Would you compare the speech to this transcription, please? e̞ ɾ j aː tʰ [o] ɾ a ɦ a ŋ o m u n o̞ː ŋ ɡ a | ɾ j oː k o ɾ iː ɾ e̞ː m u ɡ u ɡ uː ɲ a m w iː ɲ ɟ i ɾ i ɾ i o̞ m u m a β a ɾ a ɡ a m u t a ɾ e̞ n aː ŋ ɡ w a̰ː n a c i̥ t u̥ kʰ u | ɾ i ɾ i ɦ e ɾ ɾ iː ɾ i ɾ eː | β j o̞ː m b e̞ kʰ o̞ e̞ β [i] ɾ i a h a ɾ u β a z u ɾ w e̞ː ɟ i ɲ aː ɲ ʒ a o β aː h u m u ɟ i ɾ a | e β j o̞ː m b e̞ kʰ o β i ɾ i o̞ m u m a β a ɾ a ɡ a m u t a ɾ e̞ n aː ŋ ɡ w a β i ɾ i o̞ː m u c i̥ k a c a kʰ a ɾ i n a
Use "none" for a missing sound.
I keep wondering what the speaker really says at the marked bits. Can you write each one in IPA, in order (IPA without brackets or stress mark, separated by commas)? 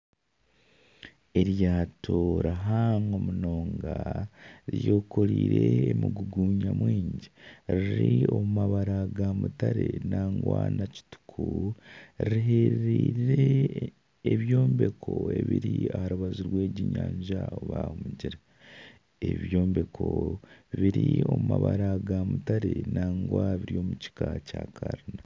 o, i